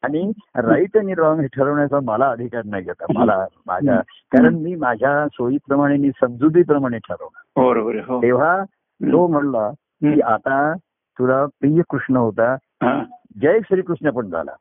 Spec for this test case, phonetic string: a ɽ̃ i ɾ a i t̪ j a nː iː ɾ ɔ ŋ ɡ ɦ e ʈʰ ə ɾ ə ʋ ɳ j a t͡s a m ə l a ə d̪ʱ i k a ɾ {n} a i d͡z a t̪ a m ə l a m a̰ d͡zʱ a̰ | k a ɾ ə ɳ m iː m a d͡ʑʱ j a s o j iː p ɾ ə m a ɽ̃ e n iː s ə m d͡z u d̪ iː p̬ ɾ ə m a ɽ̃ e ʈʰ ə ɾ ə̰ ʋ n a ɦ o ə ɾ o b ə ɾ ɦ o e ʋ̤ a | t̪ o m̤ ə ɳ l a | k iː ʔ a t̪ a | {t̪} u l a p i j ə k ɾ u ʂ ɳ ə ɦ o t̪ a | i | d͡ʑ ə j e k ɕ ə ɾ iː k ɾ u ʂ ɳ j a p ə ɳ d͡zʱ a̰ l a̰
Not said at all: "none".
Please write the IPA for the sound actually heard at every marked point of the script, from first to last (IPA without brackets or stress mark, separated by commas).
n, t̪